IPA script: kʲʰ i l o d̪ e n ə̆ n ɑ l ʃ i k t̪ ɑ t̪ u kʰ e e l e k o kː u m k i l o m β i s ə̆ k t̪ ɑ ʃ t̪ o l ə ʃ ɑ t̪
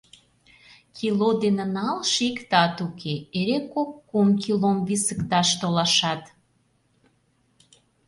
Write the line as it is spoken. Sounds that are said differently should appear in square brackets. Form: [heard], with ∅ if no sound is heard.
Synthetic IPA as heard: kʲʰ i l o d̪ e n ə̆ n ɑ l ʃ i k t̪ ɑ t̪ u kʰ e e [ɾ] e k o kː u m k i l o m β i s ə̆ k t̪ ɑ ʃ t̪ o l [ɑ] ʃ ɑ t̪